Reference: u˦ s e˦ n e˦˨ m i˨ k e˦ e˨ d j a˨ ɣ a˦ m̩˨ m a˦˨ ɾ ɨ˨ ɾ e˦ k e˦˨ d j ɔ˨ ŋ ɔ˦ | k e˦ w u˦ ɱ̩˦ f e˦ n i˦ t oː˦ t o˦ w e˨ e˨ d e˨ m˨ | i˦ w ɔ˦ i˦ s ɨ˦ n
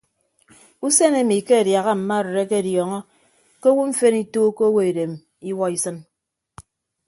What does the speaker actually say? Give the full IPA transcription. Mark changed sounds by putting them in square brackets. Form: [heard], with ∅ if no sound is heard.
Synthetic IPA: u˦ s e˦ n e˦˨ m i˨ k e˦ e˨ d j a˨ ɣ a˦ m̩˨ m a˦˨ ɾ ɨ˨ ɾ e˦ k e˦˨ d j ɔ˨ ŋ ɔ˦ | k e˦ w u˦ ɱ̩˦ f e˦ n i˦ t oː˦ [k] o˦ w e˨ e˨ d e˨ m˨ | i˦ w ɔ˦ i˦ s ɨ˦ n